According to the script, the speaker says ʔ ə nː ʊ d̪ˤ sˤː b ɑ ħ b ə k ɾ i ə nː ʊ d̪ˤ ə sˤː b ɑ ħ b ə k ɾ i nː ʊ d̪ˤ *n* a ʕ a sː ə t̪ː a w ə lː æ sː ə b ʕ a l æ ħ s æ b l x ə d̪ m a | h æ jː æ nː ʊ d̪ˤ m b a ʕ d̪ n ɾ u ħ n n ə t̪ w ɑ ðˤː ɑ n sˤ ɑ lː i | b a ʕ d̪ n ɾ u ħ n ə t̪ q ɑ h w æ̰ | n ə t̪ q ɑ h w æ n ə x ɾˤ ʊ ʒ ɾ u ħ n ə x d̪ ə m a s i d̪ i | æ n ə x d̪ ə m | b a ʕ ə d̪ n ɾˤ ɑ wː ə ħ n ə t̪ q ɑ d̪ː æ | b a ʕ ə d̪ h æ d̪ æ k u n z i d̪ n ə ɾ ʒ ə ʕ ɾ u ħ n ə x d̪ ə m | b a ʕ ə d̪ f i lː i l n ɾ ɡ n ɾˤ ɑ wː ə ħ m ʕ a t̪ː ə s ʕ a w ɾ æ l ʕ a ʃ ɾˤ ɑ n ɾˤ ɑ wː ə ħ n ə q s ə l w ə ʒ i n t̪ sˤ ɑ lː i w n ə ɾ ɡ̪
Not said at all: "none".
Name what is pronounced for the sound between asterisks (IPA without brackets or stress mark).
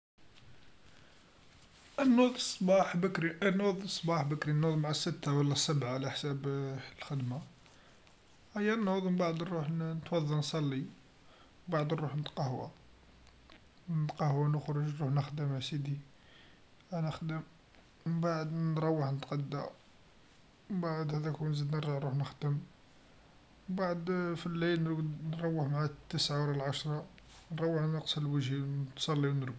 m